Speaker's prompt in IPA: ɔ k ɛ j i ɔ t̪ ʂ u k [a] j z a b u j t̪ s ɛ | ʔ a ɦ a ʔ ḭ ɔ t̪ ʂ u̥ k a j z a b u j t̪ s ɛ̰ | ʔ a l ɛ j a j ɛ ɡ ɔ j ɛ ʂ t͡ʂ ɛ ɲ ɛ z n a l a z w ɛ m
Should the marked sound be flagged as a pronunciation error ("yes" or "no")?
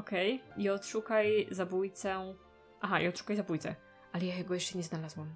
no